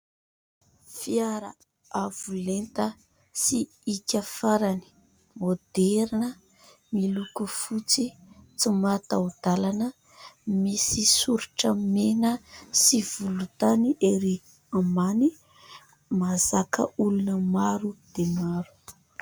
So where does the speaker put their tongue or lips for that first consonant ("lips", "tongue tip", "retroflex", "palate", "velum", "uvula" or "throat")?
lips